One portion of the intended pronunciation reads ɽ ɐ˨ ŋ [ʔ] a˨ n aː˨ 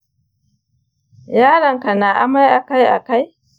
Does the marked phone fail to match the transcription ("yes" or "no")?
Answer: yes